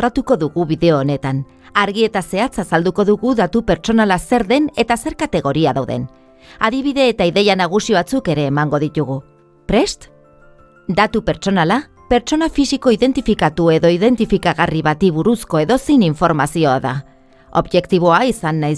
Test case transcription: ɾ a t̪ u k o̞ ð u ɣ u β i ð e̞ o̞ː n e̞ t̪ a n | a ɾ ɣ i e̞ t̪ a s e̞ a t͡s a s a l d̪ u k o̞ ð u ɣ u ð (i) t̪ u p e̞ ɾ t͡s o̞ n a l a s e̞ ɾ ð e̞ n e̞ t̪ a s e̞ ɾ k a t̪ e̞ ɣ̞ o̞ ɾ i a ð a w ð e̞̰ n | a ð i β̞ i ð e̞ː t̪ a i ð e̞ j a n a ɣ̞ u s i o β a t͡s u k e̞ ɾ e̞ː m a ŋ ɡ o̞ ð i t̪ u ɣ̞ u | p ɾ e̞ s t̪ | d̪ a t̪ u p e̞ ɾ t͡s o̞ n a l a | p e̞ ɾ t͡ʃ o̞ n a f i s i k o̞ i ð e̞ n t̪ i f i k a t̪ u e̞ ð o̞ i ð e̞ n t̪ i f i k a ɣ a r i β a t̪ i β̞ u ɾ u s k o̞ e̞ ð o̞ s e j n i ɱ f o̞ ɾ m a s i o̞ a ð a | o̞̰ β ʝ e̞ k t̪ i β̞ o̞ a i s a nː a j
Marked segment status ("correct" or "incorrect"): incorrect